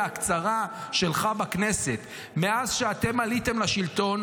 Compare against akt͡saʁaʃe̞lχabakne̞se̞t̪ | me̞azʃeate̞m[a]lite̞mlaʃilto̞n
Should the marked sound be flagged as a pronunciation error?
no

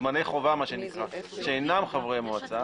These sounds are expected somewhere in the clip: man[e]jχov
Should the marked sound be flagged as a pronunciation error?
no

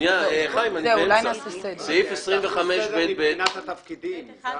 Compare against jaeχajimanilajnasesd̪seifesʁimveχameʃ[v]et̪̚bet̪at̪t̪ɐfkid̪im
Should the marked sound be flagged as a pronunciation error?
yes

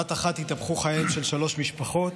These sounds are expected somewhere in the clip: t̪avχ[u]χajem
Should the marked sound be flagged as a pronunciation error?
no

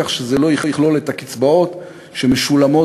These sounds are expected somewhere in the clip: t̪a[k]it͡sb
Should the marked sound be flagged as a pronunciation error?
no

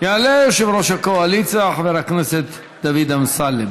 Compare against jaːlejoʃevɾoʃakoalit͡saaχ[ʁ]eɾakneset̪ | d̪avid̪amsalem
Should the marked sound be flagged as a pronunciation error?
yes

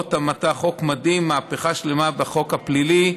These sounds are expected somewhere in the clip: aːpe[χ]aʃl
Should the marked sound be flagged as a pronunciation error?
no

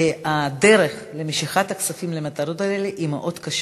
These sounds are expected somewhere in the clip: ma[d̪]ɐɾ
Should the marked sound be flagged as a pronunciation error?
yes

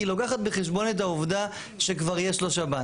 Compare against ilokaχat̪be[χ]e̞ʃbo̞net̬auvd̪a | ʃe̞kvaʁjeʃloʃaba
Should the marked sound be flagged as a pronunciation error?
no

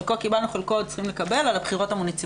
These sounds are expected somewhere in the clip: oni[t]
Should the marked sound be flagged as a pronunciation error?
yes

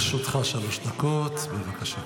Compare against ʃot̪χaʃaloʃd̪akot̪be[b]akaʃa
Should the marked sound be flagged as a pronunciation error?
yes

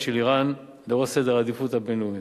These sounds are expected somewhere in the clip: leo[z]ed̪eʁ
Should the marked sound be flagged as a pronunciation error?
yes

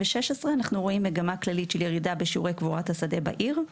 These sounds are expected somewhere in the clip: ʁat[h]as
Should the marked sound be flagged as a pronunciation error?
no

